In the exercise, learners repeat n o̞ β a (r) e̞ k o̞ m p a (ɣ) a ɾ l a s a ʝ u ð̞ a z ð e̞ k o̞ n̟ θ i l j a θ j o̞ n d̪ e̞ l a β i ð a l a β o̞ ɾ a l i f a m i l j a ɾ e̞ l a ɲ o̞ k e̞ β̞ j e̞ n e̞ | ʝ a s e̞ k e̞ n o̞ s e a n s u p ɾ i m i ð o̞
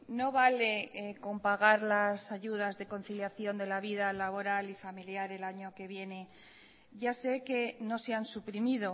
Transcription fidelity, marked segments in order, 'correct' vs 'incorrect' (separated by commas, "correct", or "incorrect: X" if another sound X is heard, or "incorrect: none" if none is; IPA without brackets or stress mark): incorrect: l, correct